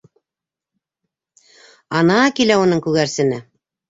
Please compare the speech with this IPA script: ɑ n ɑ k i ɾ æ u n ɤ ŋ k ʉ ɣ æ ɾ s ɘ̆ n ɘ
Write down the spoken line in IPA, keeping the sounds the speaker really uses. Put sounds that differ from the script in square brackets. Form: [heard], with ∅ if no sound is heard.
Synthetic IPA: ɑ n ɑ k i [l] æ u n ɤ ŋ k ʉ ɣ æ ɾ s ɘ̆ n ɘ